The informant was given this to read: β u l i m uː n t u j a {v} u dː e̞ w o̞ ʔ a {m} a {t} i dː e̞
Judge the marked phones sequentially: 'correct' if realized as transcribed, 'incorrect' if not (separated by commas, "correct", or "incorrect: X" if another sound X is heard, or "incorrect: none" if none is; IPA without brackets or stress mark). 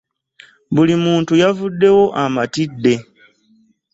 correct, correct, correct